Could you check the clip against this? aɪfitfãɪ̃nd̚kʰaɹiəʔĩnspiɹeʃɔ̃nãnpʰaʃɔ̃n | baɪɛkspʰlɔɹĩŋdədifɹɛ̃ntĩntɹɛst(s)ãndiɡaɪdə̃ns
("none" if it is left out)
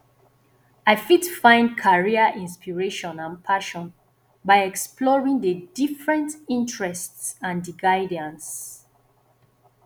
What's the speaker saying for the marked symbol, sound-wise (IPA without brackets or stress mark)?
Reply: s